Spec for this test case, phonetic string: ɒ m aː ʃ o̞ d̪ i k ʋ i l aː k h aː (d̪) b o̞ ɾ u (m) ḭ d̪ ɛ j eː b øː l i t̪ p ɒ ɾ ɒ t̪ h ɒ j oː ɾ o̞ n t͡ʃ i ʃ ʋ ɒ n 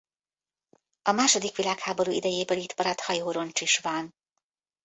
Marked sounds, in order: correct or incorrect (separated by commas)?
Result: incorrect, incorrect